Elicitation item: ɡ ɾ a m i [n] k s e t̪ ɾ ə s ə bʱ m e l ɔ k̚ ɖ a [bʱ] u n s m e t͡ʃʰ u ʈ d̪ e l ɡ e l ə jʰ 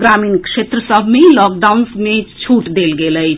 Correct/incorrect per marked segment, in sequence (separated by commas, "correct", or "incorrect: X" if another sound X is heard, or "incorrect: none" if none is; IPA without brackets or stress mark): correct, incorrect: none